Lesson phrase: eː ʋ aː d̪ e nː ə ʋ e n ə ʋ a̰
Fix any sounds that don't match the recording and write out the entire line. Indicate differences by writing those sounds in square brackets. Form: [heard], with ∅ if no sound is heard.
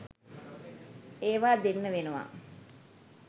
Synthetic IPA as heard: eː ʋ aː d̪ e nː ə ʋ e n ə ʋ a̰